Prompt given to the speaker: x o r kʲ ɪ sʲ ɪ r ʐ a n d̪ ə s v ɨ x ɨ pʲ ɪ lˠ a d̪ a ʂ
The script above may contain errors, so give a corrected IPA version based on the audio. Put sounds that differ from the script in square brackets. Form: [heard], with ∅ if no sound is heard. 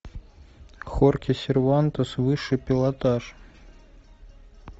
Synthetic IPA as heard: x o r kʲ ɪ sʲ ɪ r [v] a n [t̪] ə s v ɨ [ʂ] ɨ pʲ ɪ lˠ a [t̪] a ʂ

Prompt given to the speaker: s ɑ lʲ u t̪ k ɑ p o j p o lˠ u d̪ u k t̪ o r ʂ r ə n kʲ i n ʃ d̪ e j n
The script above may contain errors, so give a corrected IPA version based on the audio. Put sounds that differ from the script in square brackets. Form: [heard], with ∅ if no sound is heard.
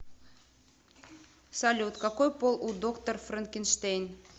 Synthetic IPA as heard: s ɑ lʲ u t̪ k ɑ [k] o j p o lˠ u d̪ [o] k t̪ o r [f] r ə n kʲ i n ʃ [t̪] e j n

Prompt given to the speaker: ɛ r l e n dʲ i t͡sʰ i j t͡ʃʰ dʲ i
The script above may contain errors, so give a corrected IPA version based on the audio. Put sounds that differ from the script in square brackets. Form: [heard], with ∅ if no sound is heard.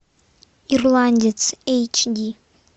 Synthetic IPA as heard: [i] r l [a] n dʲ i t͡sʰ [e] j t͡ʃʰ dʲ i

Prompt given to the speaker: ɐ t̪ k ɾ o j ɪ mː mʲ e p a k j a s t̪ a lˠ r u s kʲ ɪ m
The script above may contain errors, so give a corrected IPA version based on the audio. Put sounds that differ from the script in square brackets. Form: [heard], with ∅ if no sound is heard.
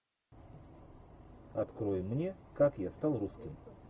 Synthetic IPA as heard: ɐ t̪ k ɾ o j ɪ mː [nʲ] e [k] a k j a s t̪ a lˠ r u s kʲ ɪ m

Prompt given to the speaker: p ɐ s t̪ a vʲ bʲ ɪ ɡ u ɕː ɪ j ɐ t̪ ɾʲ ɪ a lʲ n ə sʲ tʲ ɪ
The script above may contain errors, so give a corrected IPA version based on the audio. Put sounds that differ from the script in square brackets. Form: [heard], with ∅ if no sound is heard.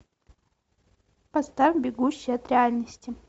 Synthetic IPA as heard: p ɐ s t̪ a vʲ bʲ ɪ ɡ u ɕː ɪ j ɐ t̪ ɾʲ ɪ a lʲ n ə sʲ tʲ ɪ

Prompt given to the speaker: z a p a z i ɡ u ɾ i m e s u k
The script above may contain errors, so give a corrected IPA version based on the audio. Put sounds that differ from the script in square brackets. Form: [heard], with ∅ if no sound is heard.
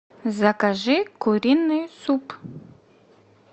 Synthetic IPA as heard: z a [k] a [ʒ] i [k] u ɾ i [n] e s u [p]

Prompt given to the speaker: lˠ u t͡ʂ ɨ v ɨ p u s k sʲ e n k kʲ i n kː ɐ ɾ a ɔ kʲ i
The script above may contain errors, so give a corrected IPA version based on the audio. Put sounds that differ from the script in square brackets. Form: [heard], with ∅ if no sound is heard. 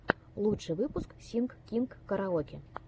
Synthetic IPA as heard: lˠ u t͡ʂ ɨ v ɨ p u s k sʲ [i] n k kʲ i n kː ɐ ɾ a ɔ kʲ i

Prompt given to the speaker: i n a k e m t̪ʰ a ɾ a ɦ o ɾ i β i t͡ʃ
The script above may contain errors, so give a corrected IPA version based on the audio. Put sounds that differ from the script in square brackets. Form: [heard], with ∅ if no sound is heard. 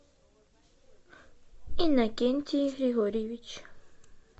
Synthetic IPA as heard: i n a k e [n] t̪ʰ [i] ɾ [i] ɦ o ɾ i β i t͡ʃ

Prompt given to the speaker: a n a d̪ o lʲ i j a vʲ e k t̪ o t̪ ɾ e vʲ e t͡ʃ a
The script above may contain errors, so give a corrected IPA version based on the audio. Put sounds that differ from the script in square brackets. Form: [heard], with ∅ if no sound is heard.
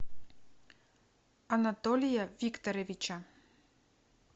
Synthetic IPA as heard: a n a [t̪] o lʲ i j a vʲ [i] k t̪ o [∅] ɾ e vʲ [i] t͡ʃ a

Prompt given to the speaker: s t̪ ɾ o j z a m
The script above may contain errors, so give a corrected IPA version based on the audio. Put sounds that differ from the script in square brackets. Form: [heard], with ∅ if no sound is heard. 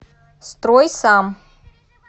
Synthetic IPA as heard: s t̪ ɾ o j [s] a m

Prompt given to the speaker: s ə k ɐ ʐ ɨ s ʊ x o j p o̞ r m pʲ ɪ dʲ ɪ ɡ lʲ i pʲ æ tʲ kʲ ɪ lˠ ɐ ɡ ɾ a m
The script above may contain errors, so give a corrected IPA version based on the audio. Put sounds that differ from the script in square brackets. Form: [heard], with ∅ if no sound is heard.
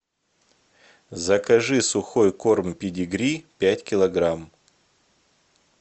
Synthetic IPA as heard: [z] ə k ɐ ʐ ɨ s ʊ x o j [k] o̞ r m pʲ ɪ dʲ ɪ ɡ [ɾʲ] i pʲ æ tʲ kʲ ɪ lˠ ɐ ɡ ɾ a m

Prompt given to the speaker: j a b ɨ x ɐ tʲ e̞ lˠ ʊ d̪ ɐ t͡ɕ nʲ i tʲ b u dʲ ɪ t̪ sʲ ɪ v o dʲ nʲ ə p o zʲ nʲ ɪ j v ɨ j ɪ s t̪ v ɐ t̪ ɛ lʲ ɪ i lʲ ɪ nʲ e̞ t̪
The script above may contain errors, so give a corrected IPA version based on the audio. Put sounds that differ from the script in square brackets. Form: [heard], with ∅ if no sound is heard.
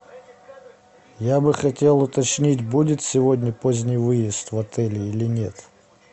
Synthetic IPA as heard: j a b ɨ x ɐ tʲ e̞ lˠ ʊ [t̪] ɐ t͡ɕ nʲ i tʲ b u dʲ ɪ t̪ sʲ ɪ v o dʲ nʲ ə p o zʲ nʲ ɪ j v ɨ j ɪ s t̪ v ɐ t̪ ɛ lʲ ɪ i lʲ ɪ nʲ e̞ t̪

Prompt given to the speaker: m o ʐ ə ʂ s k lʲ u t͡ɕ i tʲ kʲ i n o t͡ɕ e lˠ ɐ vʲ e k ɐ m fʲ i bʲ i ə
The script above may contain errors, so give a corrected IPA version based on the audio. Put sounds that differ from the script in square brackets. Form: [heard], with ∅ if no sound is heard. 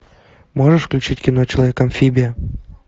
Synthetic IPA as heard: m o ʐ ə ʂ [f] k lʲ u t͡ɕ i tʲ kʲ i n o t͡ɕ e lˠ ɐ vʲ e k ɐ m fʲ i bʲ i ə

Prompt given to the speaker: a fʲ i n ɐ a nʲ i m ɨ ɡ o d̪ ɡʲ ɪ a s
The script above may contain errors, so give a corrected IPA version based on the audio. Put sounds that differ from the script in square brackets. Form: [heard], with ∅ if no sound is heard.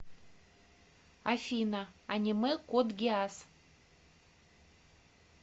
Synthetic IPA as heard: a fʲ i n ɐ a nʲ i m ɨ [k] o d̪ ɡʲ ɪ a s

